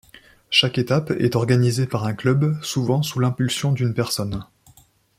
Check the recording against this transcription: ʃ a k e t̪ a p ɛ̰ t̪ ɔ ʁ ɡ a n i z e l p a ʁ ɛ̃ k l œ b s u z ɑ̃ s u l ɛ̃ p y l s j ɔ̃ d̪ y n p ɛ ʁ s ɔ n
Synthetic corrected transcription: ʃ a k e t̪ a p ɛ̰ t̪ ɔ ʁ ɡ a n i z e p a ʁ ɛ̃ k l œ b s u v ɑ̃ s u l ɛ̃ p y l s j ɔ̃ d̪ y n p ɛ ʁ s ɔ n